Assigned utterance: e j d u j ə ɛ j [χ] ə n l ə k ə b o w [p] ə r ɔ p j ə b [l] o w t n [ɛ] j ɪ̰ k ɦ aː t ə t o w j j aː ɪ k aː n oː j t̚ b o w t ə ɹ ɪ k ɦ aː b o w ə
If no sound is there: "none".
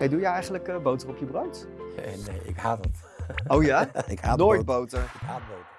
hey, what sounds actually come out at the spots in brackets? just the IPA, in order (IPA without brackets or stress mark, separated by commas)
χ, t, r, e